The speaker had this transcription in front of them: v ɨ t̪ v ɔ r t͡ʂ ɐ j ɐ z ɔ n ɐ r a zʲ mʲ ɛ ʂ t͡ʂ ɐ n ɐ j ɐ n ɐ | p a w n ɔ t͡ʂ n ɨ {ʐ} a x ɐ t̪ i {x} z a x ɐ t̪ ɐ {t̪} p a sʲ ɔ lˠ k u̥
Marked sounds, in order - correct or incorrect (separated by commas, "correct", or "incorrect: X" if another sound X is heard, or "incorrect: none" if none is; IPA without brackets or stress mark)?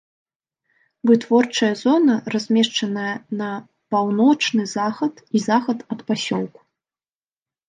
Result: incorrect: z, incorrect: none, correct